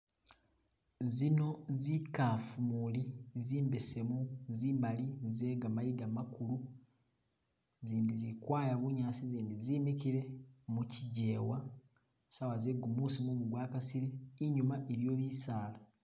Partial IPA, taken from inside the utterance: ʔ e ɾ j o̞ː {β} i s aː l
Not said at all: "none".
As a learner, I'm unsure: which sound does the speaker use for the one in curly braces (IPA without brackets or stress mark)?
β